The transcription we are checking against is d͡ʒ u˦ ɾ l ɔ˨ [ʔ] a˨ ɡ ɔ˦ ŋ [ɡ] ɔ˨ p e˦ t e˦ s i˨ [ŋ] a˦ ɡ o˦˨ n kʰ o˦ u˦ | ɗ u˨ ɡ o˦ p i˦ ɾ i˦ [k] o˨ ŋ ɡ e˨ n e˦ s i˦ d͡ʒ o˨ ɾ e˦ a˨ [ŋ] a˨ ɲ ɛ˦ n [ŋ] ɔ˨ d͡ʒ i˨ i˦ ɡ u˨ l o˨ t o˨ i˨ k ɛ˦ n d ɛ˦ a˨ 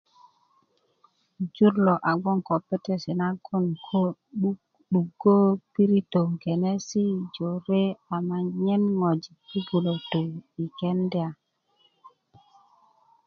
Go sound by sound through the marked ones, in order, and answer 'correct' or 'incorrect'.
correct, incorrect: k, incorrect: n, incorrect: t, incorrect: m, correct

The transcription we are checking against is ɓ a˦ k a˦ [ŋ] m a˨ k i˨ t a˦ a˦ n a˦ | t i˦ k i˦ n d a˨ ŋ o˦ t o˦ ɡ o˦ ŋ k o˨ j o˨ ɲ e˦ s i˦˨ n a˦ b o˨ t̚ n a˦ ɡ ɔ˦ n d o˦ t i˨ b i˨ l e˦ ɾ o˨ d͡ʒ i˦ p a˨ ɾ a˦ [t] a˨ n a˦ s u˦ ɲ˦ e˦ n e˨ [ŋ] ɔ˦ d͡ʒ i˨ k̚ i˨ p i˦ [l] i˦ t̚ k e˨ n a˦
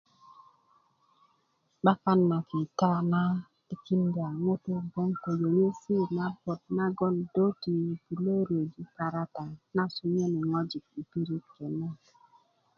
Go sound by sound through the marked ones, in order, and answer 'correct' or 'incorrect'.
incorrect: n, correct, correct, incorrect: ɾ

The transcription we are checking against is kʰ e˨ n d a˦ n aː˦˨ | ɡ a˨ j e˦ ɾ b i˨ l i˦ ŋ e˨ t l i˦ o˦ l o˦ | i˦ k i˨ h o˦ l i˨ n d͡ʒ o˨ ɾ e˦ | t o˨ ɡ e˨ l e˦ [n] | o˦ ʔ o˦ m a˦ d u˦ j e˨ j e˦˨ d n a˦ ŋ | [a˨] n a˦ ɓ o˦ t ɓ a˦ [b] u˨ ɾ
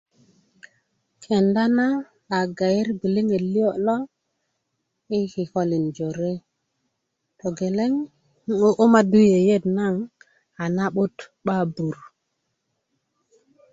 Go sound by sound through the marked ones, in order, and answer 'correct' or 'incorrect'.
incorrect: ŋ, correct, correct

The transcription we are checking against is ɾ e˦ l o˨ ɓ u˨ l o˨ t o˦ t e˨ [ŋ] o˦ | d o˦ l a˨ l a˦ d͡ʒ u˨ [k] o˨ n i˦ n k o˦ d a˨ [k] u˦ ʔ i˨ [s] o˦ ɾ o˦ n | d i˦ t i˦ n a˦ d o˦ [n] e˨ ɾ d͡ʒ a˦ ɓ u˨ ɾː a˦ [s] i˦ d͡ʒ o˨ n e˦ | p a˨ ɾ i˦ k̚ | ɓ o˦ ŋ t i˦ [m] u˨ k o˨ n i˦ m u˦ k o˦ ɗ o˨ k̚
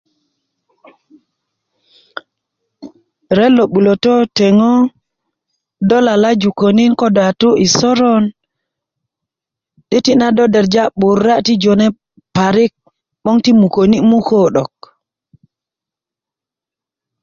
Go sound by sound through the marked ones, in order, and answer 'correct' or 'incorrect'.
correct, correct, incorrect: t, correct, incorrect: d, incorrect: t, correct

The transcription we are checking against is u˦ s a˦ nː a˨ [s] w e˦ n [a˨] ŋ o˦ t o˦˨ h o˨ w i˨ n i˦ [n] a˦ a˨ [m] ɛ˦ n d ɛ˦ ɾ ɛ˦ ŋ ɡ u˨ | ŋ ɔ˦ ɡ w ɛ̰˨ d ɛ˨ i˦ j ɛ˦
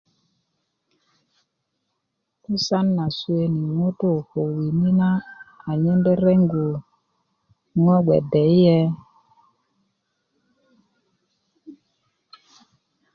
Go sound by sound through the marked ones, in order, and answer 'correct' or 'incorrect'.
correct, incorrect: i˨, correct, incorrect: ɲ

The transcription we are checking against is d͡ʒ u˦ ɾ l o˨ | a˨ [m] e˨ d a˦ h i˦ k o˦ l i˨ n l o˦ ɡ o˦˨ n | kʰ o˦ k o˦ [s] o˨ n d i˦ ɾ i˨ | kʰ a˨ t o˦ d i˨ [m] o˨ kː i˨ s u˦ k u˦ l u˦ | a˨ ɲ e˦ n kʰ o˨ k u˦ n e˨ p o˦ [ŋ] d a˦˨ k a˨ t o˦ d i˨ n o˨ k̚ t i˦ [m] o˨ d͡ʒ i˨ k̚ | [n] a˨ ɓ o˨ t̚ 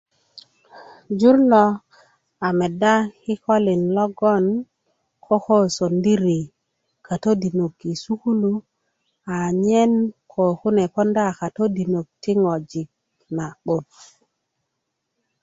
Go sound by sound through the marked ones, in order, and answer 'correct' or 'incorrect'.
correct, correct, incorrect: n, incorrect: n, incorrect: ŋ, correct

